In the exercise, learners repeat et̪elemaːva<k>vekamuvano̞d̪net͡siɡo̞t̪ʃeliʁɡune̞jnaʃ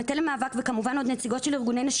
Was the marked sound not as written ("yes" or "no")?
no